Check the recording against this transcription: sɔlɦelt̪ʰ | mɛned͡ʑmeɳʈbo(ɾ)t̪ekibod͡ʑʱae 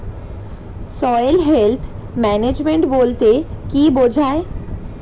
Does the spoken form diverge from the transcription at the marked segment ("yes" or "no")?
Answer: yes